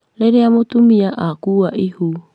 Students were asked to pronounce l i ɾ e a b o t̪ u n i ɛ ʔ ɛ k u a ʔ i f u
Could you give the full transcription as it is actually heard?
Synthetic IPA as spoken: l e ɾ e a m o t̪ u m i a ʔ a k u a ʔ i h u